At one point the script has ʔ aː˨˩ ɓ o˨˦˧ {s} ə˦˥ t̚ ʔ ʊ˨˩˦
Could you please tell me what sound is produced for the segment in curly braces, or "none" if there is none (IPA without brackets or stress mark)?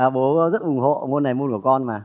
z